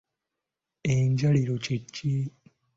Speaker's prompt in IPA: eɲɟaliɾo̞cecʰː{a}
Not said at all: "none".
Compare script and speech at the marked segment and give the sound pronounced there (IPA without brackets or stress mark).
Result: i